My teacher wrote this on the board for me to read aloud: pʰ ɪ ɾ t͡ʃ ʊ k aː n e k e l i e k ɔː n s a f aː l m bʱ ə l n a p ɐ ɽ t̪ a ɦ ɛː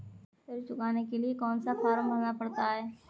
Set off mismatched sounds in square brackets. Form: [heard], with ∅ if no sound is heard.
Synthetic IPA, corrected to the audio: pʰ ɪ ɾ t͡ʃ ʊ k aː n e k e l i e k ɔː n s a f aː [ɾ] m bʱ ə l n a p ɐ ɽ t̪ a ɦ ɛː